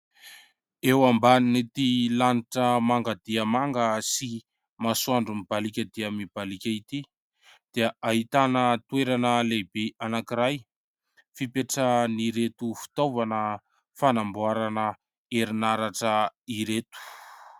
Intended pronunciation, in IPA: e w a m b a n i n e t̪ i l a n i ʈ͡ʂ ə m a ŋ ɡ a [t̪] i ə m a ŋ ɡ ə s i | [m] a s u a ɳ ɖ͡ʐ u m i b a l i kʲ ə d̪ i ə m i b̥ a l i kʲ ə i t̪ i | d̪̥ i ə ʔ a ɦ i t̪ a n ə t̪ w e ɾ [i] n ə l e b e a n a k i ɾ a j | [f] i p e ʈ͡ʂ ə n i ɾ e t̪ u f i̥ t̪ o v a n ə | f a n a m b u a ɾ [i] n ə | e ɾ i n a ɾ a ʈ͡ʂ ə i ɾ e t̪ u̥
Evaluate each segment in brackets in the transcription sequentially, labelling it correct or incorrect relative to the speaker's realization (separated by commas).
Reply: incorrect, correct, incorrect, correct, incorrect